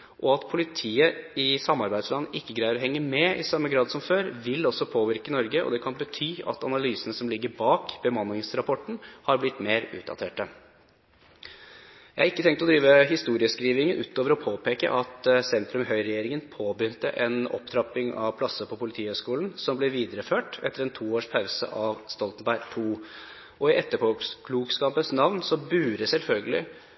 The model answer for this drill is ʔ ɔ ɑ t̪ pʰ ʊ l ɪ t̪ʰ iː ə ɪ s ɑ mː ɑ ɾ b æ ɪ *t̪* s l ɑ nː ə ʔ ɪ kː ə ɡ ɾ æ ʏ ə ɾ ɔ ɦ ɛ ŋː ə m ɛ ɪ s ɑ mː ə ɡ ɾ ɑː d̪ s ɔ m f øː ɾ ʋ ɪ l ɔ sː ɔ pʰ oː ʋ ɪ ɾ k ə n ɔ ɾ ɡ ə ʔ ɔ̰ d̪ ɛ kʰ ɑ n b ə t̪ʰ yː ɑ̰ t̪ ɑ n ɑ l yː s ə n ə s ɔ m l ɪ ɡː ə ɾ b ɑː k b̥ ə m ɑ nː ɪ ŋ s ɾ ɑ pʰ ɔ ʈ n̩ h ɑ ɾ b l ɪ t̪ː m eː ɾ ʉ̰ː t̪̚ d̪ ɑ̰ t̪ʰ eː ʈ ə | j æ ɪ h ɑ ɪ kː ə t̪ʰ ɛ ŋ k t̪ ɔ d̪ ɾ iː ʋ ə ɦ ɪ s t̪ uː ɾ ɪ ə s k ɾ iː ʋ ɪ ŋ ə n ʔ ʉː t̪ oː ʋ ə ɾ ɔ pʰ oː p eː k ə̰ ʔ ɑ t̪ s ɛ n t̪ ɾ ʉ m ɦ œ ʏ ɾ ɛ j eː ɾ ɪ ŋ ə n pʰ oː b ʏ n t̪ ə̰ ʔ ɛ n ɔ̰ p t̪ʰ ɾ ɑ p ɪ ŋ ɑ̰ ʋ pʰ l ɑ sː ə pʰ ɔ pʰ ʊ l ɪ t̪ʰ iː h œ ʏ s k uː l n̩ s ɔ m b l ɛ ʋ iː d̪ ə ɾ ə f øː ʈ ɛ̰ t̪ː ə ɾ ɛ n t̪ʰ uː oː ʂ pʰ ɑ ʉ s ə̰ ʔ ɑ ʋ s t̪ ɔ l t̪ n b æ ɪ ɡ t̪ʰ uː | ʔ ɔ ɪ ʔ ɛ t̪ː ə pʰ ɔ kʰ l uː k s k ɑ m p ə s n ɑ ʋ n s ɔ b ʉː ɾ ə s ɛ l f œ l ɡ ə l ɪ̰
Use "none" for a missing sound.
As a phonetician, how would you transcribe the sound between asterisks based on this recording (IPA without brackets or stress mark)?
d̪